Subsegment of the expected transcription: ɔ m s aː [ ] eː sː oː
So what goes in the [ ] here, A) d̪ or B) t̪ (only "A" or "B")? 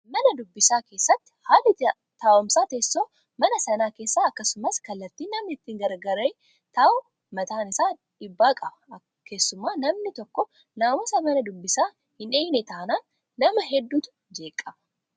B